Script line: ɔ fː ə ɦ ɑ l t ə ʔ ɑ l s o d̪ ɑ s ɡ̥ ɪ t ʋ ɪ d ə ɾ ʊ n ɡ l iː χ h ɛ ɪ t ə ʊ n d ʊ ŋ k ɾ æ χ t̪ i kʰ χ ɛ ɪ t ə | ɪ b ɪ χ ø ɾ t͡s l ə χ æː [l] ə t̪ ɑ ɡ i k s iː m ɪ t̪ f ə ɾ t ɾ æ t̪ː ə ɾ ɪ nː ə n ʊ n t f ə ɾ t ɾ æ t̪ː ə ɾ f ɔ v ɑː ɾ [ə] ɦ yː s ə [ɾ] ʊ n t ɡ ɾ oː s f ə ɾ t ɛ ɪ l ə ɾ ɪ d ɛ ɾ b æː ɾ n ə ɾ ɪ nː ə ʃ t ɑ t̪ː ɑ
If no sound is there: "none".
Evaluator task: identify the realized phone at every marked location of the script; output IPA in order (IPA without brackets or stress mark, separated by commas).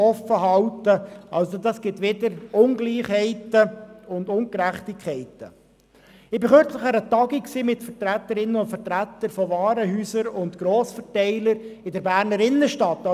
ɾ, ə, ɾ